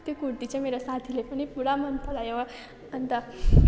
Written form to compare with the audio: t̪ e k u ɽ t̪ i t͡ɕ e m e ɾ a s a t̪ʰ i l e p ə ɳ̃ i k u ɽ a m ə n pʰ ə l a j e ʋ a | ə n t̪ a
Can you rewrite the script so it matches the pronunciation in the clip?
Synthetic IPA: t̪ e k u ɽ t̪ i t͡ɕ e m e ɾ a s a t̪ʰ i l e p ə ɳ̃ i p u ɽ a m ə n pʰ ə l a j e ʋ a | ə n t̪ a